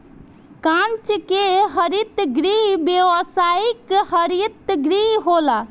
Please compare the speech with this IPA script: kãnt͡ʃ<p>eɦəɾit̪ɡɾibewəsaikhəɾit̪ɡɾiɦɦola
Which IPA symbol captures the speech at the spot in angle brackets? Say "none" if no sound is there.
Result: k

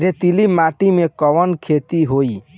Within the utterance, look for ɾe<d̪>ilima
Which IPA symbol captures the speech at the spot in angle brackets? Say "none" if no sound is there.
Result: t̪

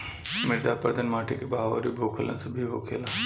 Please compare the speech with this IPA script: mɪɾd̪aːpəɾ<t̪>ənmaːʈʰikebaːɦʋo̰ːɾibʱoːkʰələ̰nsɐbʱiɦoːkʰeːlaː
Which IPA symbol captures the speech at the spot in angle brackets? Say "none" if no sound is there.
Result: d̪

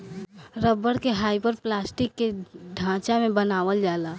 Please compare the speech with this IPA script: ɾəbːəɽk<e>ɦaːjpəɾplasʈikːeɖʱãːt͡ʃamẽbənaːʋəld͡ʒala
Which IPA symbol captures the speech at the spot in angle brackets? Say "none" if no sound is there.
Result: e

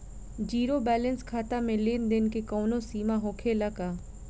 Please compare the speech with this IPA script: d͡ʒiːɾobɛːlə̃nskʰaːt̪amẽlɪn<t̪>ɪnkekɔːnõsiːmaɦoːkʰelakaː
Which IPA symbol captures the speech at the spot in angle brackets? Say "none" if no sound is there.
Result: d̪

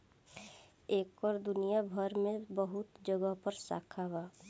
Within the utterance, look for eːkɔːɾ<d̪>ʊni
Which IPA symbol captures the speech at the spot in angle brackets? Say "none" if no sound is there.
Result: d̪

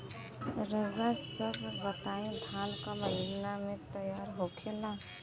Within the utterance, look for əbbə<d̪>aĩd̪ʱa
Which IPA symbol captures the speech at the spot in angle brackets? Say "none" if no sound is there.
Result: t̪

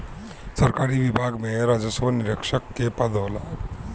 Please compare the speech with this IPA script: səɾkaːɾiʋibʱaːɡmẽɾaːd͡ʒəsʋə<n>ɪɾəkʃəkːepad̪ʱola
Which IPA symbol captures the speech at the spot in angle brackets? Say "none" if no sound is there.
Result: n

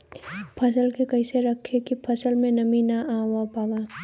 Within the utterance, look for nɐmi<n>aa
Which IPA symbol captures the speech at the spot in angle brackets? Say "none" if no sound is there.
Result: n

